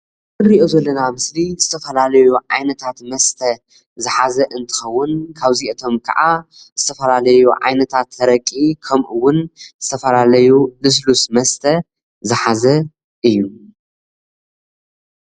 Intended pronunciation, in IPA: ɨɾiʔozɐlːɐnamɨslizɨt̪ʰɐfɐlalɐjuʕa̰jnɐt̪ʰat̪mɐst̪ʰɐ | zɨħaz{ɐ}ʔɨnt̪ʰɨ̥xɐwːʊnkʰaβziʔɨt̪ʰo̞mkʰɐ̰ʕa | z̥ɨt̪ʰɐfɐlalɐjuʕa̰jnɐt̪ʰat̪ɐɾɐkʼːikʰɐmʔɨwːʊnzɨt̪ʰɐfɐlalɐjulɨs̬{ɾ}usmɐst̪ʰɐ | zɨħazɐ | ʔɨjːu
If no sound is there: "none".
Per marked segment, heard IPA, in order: ɐ, l

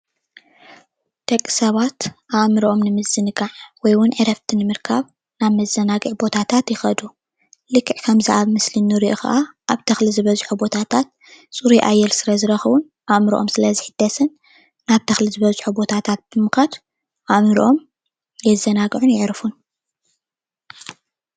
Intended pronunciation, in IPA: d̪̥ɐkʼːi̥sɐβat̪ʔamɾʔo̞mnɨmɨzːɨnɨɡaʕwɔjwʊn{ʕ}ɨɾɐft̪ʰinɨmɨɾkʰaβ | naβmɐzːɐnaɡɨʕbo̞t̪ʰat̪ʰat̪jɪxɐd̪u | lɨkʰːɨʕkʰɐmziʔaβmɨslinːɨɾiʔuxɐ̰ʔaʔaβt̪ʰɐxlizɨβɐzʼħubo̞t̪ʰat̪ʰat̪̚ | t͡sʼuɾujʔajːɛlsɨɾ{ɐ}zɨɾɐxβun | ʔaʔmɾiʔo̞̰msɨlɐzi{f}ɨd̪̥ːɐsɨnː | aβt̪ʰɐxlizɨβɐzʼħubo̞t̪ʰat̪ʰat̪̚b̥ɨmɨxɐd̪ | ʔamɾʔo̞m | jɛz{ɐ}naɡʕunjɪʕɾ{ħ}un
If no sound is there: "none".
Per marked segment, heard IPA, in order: ʕ, ɐ, ħ, ɐ, f

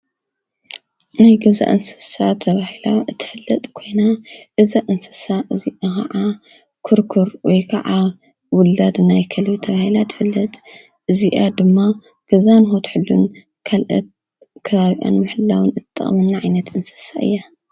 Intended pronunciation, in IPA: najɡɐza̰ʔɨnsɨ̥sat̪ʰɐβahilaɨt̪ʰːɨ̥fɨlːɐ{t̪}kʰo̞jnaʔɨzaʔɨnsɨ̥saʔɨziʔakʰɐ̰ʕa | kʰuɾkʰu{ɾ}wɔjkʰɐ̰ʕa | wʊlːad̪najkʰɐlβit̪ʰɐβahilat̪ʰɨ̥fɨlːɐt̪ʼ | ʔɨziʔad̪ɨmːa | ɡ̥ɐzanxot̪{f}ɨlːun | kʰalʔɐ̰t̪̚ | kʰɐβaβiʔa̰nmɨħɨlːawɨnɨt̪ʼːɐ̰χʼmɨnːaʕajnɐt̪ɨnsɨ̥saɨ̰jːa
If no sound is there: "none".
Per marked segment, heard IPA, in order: t̪ʼ, ɾ, ħ

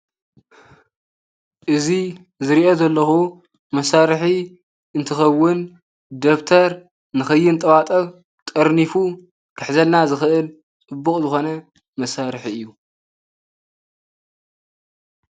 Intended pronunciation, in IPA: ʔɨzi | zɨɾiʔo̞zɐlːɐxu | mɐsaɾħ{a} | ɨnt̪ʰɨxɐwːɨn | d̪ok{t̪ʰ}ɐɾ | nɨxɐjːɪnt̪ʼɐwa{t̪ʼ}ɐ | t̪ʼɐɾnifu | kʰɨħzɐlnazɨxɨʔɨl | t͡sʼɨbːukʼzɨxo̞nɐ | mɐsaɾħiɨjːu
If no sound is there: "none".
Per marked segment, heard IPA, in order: i, t̪ʰ, t̪ʼ

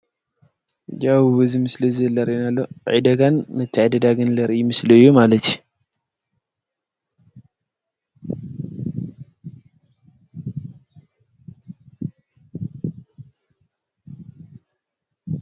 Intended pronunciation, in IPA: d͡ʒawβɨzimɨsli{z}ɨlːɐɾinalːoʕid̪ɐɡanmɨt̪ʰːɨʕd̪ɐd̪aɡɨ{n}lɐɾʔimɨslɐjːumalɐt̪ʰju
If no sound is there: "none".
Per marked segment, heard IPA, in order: z, n

